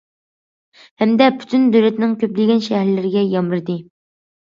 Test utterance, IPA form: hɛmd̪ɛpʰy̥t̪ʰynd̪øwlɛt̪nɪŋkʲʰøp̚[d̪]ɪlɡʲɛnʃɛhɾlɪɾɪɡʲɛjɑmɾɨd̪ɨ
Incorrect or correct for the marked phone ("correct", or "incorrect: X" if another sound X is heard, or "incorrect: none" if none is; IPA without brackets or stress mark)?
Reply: correct